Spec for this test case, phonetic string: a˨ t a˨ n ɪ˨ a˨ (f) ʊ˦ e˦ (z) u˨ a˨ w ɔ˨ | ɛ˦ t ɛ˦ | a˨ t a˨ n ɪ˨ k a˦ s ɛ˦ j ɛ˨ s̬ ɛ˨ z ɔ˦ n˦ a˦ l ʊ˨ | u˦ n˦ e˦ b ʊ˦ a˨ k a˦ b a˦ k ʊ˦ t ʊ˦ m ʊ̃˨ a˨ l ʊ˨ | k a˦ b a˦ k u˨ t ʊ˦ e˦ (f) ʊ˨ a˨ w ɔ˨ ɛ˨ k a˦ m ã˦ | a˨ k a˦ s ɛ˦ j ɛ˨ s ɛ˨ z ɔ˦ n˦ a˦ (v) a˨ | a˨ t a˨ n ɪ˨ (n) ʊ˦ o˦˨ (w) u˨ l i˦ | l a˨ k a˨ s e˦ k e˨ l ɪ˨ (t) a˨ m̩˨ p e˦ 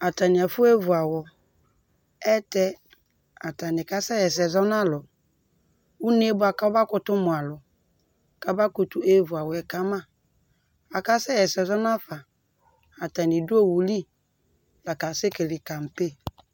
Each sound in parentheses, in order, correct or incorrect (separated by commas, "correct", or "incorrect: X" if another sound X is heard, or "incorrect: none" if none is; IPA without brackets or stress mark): correct, incorrect: v, incorrect: v, incorrect: f, incorrect: d, correct, incorrect: k